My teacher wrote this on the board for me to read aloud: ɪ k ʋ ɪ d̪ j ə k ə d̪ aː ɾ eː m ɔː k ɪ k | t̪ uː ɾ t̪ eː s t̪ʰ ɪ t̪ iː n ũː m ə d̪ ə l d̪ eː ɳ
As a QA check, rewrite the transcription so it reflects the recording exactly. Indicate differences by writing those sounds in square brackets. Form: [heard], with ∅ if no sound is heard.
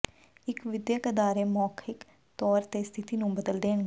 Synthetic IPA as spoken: ɪ k ʋ ɪ d̪ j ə k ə d̪ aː ɾ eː m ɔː [kʰ] ɪ k | t̪ [ɔː] ɾ t̪ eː s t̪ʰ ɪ t̪ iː n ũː [b] ə d̪ ə l d̪ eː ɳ

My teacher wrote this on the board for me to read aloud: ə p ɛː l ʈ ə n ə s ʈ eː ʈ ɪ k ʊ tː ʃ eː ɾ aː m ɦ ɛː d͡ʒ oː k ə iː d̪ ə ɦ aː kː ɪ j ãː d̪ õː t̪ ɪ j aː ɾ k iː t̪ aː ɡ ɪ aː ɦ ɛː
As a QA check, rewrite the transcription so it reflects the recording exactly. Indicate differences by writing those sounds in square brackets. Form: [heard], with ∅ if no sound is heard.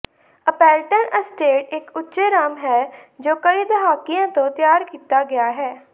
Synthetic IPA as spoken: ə p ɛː l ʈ ə n ə s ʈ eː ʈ ɪ k ʊ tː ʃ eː ɾ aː m ɦ ɛː d͡ʒ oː k ə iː d̪ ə ɦ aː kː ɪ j ãː [t̪] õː t̪ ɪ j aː ɾ k iː t̪ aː ɡ ɪ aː ɦ ɛː

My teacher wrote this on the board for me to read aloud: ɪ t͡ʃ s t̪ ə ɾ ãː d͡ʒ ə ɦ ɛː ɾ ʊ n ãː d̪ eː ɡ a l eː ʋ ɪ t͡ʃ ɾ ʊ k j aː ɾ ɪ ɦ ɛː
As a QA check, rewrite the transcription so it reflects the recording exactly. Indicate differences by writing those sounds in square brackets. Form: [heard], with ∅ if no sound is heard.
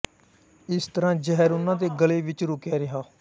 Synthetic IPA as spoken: ɪ [∅] s t̪ ə ɾ ãː d͡ʒ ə ɦ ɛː ɾ ʊ n ãː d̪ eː ɡ [ə] l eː ʋ ɪ t͡ʃ ɾ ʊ k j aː ɾ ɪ ɦ [aː]

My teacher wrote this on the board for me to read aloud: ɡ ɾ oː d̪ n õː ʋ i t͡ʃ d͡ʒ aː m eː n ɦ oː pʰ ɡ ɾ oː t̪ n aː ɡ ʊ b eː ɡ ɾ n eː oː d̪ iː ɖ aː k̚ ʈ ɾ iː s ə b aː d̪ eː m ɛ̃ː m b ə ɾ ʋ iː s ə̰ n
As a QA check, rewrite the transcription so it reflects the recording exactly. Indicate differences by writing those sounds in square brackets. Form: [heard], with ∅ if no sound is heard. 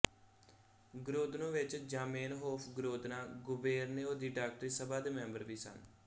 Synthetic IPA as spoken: ɡ ɾ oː d̪ n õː ʋ [ɪ] t͡ʃ d͡ʒ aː m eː n ɦ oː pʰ ɡ ɾ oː [d̪] n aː ɡ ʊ b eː [∅] ɾ n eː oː d̪ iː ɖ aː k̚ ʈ ɾ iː s ə b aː d̪ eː m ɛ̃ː m b ə ɾ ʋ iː s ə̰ n

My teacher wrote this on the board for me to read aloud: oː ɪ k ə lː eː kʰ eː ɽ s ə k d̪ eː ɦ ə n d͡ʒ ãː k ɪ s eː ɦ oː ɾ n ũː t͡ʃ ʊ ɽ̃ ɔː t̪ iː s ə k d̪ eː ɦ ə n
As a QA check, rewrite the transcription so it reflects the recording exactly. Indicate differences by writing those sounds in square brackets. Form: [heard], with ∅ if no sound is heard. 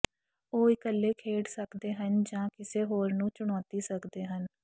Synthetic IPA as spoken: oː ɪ k ə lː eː kʰ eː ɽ s ə k d̪ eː ɦ ə n d͡ʒ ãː k ɪ s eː ɦ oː ɾ n ũː t͡ʃ ʊ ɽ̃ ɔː t̪ iː s ə k d̪ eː ɦ ə n

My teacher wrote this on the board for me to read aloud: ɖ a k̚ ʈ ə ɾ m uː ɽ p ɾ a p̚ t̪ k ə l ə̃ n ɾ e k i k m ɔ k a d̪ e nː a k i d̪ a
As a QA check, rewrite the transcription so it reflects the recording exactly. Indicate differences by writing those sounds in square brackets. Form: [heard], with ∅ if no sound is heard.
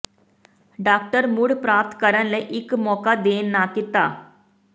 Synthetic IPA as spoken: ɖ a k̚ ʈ ə ɾ m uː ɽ p ɾ a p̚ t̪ k ə [ɾ] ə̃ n [l] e [ʔ] i k m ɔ k a d̪ e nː a k i [t̪] a

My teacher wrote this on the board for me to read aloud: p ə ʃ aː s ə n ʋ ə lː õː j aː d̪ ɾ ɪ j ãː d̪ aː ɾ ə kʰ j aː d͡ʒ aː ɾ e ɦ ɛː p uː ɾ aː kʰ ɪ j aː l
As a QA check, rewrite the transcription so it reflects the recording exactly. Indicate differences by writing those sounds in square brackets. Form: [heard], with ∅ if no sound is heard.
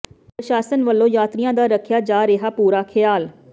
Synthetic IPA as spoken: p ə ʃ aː s ə n ʋ ə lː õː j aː [t̪] ɾ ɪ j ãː d̪ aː ɾ ə kʰ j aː d͡ʒ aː ɾ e ɦ [aː] p uː ɾ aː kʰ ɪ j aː l

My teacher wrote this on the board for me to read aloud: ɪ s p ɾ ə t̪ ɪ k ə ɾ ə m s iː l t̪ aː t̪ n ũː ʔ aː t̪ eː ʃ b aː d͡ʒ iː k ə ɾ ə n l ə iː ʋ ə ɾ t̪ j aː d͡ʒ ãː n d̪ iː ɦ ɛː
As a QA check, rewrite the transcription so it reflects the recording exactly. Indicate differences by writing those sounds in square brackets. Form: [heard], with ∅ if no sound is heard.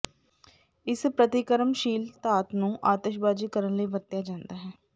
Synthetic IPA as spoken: ɪ s p ɾ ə t̪ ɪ k ə ɾ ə m [ʃ] iː l t̪ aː t̪ n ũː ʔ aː t̪ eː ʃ b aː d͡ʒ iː k ə ɾ ə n l ə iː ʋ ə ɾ t̪ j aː d͡ʒ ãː n d̪ [aː] ɦ ɛː

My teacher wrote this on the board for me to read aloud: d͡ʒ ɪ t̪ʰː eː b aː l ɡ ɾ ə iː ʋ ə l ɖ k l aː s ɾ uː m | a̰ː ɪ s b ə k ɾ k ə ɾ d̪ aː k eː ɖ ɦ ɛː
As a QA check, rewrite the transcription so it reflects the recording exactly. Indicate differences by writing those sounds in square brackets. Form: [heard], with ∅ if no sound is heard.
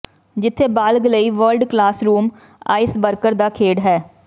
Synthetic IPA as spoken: d͡ʒ ɪ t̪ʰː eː b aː l ɡ [l] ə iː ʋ ə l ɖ k l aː s ɾ uː m | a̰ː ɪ s b ə [∅] ɾ k ə ɾ d̪ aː [kʰ] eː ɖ ɦ ɛː

